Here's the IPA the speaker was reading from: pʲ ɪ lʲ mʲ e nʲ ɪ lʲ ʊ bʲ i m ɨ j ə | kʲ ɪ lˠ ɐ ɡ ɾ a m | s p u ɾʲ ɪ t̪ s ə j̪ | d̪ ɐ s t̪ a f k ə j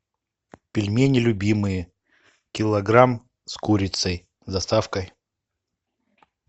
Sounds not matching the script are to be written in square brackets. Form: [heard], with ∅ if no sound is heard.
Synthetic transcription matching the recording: pʲ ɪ lʲ mʲ e nʲ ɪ lʲ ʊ bʲ i m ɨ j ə | kʲ ɪ lˠ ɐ ɡ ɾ a m | s [k] u ɾʲ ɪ t̪ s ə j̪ | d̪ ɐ s t̪ a f k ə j

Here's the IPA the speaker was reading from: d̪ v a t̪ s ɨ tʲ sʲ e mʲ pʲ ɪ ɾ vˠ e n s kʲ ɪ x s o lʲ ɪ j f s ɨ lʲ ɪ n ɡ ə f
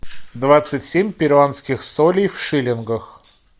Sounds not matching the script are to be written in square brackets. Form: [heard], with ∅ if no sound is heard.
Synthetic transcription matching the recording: d̪ v a t̪ s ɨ tʲ sʲ e mʲ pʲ ɪ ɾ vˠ [a] n s kʲ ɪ x s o lʲ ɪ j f [ʂ] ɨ lʲ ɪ n ɡ ə [x]

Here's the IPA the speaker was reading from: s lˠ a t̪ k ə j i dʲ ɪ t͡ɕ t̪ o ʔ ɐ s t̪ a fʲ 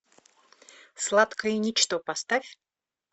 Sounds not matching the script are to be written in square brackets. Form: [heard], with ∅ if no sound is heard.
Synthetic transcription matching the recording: s lˠ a t̪ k ə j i [nʲ] ɪ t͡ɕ t̪ o [p] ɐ s t̪ a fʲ

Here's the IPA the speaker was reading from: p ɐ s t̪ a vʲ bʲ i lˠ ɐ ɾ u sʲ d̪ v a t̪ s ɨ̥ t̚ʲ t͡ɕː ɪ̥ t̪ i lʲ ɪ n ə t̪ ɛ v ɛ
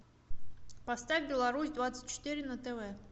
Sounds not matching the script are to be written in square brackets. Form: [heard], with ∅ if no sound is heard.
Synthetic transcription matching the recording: p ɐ s t̪ a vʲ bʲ [ɪ] lˠ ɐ ɾ u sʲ d̪ v a t̪ s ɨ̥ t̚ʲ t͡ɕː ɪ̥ t̪ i [ɾʲ] ɪ n ə t̪ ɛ v ɛ

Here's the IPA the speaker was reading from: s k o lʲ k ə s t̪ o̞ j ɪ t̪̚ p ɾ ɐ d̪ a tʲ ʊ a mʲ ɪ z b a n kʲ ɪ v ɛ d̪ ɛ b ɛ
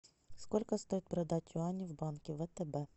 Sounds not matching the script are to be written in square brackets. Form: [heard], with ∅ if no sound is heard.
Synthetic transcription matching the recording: s k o lʲ k ə s t̪ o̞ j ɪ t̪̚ p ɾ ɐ d̪ a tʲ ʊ a [nʲ] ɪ [v] b a n kʲ ɪ v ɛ [t̪] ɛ b ɛ

